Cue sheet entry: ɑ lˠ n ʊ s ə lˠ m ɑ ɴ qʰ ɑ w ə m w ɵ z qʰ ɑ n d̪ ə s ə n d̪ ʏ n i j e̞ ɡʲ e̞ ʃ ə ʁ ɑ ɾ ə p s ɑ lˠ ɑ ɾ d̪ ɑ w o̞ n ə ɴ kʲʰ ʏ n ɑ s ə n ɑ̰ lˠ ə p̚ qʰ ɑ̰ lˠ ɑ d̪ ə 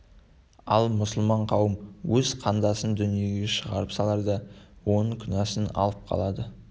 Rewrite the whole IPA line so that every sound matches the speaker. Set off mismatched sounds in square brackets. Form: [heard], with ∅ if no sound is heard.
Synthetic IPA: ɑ lˠ [m] ʊ s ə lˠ m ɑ ɴ qʰ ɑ w ə m w ɵ z qʰ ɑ n d̪ [ɑ] s ə n d̪ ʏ n i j e̞ ɡʲ e̞ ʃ ə ʁ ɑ ɾ ə p s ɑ lˠ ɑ ɾ d̪ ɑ w o̞ n ə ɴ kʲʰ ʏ n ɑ s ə n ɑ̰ lˠ ə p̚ qʰ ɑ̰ lˠ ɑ d̪ ə